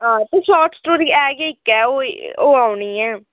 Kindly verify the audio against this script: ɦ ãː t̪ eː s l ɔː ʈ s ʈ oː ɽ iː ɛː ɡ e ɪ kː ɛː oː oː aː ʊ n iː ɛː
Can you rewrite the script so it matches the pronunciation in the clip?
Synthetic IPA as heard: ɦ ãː t̪ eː s l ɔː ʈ s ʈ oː ɾ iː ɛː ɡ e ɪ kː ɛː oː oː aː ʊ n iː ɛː